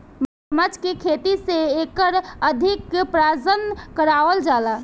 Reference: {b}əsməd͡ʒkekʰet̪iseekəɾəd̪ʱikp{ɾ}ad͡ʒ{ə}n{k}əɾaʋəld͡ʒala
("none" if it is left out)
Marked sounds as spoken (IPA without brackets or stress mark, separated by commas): m, ɾ, ə, k